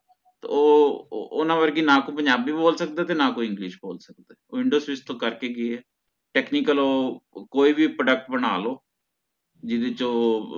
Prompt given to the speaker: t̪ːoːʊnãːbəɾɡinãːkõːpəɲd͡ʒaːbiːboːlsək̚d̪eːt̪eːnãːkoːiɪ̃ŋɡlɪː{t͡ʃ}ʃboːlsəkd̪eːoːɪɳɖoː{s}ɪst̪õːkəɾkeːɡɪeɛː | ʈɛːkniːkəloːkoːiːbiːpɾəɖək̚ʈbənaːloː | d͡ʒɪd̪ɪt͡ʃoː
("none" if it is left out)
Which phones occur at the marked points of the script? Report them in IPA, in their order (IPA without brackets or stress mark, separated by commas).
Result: none, s